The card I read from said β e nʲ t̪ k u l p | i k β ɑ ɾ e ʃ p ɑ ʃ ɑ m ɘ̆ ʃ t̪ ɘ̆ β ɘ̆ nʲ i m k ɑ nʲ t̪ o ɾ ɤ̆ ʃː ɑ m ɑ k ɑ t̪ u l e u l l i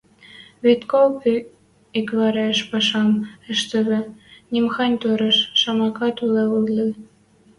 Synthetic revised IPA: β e t̪ k o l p | i k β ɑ ɾ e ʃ p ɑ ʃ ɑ m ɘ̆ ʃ t̪ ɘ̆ β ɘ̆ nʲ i m x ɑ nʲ t̪ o ɾ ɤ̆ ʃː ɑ m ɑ k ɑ t̪ u l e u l l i